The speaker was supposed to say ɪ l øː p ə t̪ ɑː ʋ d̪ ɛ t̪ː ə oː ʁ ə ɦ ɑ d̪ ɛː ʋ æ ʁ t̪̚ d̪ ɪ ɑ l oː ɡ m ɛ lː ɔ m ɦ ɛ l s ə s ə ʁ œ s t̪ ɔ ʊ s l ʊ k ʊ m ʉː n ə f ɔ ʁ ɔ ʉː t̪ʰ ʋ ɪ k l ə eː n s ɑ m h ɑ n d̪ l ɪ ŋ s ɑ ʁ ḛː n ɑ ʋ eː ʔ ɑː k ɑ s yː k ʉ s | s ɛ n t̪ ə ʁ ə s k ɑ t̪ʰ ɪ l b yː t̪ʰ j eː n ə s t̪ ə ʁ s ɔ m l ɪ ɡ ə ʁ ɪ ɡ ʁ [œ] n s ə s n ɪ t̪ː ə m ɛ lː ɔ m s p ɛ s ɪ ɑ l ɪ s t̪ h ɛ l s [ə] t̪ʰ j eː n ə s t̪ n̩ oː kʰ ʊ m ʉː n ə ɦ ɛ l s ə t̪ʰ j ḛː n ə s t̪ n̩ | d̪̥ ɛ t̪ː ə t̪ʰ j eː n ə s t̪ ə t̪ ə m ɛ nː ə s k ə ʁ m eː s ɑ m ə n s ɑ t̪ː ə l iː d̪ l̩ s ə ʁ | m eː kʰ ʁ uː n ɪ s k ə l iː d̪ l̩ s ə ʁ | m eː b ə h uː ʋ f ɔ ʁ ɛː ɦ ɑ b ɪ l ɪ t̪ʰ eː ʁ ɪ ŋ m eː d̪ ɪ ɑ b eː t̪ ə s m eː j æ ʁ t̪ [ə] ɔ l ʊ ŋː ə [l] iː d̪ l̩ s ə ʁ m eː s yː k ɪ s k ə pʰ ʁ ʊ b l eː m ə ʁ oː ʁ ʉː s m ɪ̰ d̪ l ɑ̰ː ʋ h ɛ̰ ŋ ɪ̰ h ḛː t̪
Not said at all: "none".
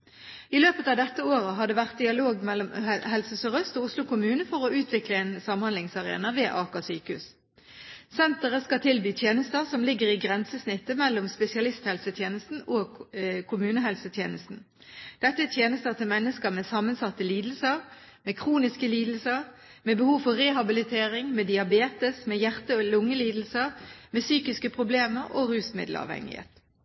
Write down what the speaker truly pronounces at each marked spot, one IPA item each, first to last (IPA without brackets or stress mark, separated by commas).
ɛ, ə, ə, l